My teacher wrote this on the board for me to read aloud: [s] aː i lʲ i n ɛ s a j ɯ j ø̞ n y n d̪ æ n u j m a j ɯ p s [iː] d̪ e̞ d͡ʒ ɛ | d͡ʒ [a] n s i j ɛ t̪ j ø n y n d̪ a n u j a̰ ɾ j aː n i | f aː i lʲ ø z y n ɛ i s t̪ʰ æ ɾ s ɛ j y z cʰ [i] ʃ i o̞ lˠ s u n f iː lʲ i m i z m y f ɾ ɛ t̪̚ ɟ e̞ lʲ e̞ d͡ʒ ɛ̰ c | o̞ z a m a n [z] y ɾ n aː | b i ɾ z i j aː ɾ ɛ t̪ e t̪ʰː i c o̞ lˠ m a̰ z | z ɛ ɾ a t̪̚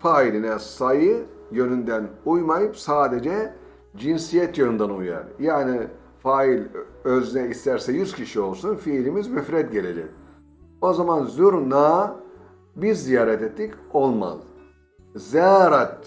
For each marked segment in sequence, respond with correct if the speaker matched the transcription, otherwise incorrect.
incorrect: f, incorrect: aː, incorrect: i, correct, correct

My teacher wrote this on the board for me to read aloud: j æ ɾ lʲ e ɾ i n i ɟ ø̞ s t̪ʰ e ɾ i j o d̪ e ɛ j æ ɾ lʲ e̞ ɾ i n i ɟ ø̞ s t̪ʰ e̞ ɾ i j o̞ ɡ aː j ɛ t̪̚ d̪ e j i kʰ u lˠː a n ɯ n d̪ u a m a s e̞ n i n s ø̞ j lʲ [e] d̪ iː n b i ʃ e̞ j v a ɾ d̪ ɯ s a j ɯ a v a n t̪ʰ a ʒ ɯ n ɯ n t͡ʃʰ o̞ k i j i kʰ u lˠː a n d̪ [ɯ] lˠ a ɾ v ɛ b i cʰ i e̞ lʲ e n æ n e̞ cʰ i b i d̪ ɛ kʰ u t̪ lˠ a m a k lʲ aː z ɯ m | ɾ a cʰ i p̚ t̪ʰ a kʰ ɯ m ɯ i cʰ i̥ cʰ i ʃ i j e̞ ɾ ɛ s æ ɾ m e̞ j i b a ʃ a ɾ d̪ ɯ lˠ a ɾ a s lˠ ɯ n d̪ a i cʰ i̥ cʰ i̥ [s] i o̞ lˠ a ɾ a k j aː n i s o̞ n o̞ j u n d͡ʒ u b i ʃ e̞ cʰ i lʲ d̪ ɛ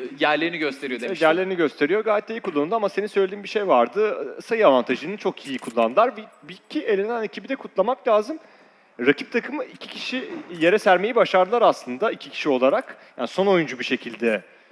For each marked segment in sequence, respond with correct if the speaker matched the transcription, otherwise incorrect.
correct, correct, incorrect: ʃ

